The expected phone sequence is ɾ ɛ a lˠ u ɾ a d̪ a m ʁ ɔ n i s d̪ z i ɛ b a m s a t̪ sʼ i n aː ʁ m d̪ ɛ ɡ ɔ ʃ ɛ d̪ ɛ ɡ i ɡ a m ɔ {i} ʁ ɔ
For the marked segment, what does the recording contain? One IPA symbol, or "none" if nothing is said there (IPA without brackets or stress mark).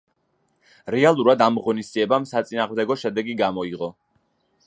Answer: i